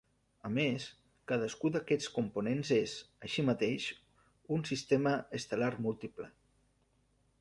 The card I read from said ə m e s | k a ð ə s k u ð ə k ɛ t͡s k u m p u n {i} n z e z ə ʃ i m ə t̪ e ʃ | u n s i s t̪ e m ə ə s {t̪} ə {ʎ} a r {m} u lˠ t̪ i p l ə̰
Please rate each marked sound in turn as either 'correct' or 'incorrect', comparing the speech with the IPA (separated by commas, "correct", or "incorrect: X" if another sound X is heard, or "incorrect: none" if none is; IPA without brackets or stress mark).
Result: incorrect: e, correct, incorrect: l, correct